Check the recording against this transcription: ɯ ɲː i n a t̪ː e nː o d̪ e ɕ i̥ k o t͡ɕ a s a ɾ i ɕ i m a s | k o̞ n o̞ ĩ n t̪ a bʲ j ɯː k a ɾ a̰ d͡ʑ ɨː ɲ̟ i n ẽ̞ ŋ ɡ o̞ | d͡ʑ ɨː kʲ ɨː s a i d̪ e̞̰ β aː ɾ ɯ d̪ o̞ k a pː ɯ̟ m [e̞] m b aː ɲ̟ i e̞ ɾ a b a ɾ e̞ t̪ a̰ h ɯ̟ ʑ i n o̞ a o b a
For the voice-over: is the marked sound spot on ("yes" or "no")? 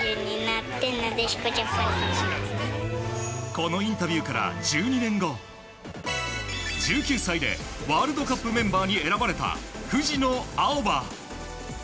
no